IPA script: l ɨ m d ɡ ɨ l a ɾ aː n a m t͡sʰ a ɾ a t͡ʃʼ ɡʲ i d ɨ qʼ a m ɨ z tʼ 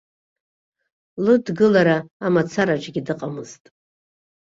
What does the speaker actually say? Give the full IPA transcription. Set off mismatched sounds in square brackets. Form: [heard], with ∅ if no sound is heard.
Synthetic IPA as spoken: l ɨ [∅] d ɡ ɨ l a ɾ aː [m] a [∅] t͡sʰ a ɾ a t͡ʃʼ ɡʲ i d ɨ qʼ a m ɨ z tʼ